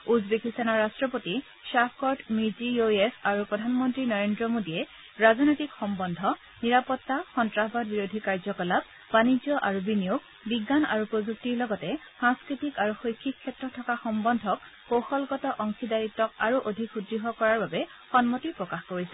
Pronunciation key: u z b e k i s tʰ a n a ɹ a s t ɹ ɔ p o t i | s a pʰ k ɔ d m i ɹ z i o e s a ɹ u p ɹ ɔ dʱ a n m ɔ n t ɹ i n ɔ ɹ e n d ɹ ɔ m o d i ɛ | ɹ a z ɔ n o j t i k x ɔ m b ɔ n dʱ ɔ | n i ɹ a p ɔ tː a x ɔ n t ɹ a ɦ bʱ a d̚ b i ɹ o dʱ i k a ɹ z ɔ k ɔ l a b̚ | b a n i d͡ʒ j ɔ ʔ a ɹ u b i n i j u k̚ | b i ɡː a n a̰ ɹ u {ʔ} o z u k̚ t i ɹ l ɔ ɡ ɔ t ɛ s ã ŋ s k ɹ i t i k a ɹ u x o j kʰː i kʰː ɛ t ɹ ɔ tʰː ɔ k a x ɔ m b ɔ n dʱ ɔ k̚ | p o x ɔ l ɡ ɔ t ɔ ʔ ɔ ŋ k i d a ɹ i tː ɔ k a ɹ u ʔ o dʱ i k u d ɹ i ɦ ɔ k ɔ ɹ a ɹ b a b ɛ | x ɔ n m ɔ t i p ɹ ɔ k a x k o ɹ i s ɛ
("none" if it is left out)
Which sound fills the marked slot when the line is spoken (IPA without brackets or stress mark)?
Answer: p